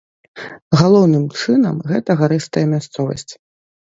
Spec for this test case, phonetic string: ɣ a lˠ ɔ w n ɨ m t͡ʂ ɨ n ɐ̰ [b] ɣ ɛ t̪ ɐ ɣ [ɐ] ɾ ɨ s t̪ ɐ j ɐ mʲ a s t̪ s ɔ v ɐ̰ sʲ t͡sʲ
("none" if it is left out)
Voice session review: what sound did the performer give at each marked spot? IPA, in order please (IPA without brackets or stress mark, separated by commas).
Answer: m, a